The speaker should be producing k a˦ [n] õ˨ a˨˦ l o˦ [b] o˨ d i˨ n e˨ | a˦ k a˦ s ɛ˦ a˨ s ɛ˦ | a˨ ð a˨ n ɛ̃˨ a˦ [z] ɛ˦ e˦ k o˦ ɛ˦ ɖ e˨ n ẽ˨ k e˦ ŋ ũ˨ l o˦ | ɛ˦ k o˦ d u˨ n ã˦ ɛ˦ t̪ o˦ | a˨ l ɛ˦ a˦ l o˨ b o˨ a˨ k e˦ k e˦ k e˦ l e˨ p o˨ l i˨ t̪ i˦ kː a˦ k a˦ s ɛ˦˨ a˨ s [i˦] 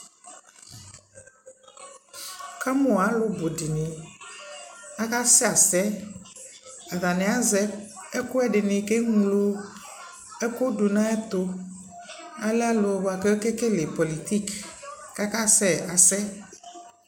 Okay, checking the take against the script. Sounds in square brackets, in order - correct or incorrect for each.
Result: incorrect: m, correct, correct, incorrect: ɛ˦

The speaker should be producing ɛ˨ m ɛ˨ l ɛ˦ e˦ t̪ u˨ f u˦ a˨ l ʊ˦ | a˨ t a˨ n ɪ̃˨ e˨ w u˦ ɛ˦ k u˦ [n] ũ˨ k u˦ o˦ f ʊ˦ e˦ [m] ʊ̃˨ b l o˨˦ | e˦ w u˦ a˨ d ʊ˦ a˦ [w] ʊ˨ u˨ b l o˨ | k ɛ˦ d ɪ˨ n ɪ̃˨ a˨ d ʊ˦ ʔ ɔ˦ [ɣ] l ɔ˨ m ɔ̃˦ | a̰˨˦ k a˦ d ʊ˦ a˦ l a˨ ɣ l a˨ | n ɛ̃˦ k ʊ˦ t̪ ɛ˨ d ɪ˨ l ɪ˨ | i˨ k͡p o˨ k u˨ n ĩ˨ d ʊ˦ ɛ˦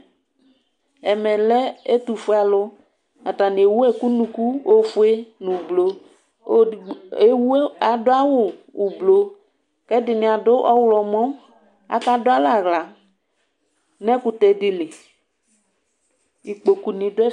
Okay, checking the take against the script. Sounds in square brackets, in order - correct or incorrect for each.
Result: correct, incorrect: n, correct, incorrect: w

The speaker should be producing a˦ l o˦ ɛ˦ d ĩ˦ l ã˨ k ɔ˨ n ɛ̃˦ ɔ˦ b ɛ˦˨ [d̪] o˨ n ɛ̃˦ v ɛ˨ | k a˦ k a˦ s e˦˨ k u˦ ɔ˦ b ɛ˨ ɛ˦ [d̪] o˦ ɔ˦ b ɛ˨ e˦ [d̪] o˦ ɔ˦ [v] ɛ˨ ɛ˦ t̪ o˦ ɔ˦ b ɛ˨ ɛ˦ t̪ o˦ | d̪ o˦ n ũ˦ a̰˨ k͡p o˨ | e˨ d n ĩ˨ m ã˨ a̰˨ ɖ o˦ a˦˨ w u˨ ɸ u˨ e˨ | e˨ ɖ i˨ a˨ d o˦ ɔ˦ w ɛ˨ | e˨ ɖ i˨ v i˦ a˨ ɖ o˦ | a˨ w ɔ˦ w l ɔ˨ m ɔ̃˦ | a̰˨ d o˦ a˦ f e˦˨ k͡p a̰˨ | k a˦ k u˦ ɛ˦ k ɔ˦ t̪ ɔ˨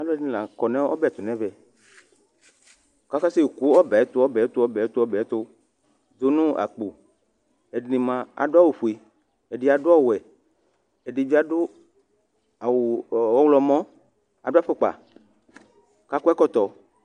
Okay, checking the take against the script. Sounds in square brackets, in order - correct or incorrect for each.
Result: incorrect: t̪, incorrect: t̪, incorrect: t̪, incorrect: b

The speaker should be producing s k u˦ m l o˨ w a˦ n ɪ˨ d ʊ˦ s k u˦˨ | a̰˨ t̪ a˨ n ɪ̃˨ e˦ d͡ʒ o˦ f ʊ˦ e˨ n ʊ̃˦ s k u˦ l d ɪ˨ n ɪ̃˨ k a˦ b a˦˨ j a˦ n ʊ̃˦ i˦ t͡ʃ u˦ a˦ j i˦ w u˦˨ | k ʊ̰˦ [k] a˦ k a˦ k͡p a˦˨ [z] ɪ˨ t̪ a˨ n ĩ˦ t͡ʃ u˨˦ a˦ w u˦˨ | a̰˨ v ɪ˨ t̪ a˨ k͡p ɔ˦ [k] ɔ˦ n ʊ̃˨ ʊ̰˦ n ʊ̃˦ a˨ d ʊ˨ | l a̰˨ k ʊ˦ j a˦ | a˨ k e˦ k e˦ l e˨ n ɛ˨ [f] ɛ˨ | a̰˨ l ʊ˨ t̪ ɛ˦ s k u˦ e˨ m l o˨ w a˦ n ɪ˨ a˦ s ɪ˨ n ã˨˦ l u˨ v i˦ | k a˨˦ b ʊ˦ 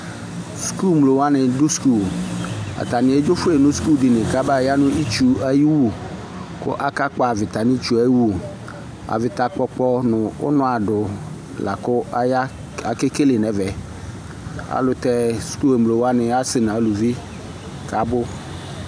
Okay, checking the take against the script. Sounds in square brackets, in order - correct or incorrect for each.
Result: incorrect: ʔ, incorrect: v, incorrect: k͡p, incorrect: v

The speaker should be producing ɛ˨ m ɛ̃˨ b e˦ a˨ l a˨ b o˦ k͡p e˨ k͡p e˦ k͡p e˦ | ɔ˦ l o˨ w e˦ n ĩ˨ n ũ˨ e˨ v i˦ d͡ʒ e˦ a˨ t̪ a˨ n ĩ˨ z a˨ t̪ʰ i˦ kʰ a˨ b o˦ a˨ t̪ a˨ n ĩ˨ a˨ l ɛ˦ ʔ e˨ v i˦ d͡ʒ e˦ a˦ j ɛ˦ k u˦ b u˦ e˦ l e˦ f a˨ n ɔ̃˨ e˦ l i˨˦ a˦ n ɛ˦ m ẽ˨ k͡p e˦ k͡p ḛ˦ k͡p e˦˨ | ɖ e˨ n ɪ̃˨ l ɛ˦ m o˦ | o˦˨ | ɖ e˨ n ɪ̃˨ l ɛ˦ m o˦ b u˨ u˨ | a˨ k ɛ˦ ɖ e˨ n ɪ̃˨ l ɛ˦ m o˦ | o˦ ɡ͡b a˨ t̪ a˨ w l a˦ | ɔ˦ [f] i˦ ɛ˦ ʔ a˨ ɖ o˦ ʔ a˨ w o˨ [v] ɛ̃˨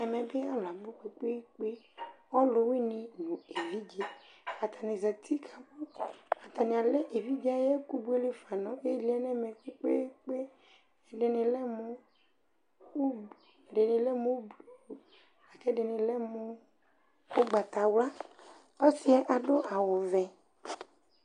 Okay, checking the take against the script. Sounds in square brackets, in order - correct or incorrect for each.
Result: incorrect: s, correct

